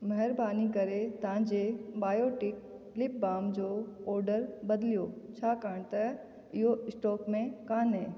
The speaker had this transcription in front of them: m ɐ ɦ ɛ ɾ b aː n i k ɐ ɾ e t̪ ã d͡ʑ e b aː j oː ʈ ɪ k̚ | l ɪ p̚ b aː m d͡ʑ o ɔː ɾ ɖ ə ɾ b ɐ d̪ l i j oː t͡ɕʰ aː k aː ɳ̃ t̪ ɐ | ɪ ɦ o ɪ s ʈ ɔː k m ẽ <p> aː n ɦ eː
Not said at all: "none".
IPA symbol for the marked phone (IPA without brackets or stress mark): k